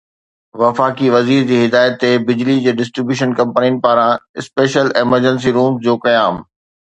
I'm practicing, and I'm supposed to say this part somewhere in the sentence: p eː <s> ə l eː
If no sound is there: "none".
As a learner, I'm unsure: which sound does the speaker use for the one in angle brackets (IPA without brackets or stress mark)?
ʃ